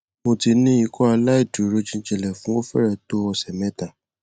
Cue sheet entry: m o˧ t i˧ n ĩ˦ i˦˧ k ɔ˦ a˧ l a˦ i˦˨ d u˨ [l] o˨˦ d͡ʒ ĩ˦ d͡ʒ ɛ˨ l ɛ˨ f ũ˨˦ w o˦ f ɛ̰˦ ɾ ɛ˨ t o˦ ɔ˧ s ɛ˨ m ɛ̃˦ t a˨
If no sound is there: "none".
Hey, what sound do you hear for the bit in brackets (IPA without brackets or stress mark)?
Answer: ɾ